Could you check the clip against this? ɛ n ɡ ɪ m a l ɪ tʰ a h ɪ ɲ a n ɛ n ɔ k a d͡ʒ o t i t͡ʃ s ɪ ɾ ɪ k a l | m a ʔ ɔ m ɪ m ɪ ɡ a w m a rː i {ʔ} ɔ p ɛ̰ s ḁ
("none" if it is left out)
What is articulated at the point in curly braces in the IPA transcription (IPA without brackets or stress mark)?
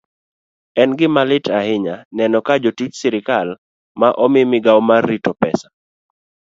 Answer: t